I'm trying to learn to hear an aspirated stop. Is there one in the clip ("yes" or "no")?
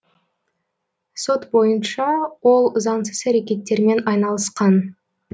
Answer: no